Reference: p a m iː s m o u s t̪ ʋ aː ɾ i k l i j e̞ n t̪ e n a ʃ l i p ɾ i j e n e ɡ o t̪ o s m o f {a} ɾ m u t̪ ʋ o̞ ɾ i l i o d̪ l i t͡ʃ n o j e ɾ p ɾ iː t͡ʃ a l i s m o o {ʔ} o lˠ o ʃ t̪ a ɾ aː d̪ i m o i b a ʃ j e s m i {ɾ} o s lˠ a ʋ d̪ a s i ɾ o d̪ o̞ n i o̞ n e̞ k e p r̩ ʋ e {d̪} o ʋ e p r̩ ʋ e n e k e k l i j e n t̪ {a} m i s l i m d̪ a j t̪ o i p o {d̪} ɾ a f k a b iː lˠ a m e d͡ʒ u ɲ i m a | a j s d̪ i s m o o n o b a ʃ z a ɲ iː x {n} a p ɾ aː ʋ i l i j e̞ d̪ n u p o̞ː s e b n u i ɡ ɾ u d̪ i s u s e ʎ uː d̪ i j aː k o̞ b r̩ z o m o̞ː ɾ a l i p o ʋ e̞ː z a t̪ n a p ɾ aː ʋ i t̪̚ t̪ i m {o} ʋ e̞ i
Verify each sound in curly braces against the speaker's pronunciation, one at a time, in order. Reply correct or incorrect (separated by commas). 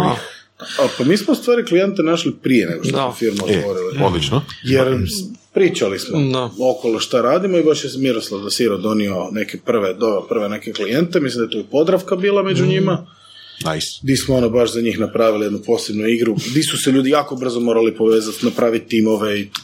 incorrect, incorrect, correct, correct, incorrect, correct, correct, correct